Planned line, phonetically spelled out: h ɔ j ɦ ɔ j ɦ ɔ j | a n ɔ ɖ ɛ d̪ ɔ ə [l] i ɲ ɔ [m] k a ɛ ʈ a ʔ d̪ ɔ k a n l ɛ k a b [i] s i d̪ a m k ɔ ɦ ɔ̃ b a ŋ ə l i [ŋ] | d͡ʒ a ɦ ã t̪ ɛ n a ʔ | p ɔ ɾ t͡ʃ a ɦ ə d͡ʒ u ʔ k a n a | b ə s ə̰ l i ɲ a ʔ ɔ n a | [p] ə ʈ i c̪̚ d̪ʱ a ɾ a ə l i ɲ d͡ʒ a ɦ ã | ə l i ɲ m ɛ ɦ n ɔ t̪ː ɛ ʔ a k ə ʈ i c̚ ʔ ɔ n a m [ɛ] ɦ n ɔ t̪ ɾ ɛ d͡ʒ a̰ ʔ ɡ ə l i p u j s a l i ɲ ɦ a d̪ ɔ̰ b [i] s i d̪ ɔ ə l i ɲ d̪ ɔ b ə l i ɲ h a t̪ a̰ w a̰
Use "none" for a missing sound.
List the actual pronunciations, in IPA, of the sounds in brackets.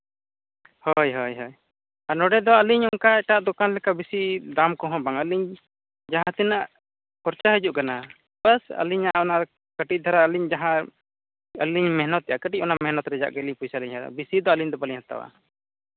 l, ŋ, i, ɲ, k, ɛ, i

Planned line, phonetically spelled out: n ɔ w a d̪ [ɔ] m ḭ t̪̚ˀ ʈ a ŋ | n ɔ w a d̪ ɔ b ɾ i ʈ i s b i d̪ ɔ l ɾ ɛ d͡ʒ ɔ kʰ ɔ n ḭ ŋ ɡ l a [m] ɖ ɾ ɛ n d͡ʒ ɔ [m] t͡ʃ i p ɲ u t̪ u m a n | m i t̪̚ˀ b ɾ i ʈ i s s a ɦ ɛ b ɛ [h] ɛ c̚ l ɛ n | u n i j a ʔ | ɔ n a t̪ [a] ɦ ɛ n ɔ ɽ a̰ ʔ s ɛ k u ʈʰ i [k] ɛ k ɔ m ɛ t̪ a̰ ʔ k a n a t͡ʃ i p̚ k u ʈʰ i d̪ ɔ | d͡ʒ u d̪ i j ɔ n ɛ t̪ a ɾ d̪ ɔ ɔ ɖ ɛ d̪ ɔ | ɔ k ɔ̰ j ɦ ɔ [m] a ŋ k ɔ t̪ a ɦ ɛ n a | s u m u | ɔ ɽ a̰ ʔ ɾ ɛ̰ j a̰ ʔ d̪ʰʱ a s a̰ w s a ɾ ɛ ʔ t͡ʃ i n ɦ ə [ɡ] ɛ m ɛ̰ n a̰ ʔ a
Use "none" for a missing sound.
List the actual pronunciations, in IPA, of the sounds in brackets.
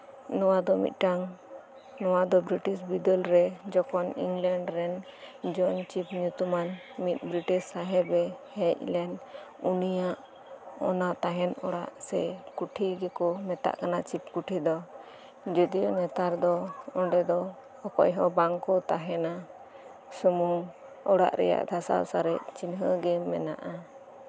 ɔ, ɳ, n, h, a, ɡ, b, ɡ

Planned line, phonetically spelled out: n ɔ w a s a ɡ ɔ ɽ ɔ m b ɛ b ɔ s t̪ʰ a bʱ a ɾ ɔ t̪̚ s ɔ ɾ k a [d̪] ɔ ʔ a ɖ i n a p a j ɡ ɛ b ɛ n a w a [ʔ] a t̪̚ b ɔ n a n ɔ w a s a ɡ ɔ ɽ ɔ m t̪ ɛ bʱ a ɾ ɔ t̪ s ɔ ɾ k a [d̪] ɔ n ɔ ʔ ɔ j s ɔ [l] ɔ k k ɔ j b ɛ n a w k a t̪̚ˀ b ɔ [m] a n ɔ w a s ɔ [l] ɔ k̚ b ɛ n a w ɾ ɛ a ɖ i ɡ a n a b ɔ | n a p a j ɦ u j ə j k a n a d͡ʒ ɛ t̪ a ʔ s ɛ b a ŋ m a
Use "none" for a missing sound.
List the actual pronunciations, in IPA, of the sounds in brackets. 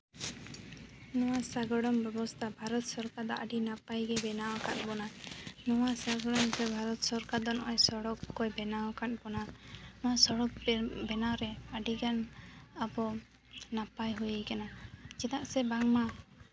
d̪, k, d̪, ɽ, n, ɽ

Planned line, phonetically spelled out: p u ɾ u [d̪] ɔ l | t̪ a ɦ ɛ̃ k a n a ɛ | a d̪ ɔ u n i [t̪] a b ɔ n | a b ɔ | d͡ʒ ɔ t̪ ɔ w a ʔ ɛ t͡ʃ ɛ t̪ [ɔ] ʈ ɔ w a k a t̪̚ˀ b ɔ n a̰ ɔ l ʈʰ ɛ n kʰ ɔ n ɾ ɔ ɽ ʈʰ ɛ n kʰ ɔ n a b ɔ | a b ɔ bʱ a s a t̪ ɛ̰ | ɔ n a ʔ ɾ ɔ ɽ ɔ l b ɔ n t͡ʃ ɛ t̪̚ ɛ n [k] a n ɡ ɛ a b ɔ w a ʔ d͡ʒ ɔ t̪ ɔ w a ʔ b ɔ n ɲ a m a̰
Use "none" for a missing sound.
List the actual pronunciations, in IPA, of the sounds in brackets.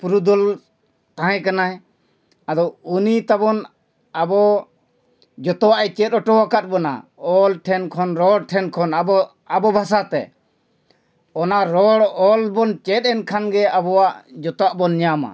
d̪, t̪, ɔ, kʰ

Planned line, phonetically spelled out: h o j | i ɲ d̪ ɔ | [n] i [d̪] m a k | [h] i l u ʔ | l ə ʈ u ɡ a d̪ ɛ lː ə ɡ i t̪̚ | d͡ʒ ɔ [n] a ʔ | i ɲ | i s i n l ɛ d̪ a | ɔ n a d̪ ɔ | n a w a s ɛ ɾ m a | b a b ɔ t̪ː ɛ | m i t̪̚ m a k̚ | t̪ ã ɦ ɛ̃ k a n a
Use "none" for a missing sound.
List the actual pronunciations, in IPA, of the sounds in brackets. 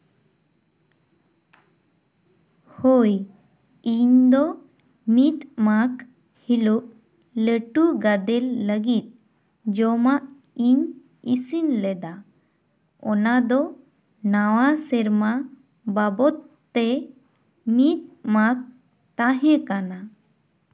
m, t̪, h, m

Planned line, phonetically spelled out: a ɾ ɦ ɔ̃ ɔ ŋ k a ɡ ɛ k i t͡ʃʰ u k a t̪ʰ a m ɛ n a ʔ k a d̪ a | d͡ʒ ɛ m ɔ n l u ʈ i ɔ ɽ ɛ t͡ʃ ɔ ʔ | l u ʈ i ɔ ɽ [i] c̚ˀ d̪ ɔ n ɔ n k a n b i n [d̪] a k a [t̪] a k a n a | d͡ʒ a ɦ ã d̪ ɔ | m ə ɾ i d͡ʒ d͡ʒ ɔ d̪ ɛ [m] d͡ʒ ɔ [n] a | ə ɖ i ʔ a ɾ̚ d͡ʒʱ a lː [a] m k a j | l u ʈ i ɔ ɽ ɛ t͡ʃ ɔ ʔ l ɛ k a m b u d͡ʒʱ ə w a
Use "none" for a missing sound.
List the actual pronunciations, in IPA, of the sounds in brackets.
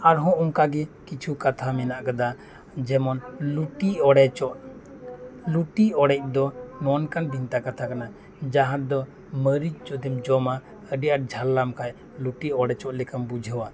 ɛ, t̪, t̪ʰ, m, m, a

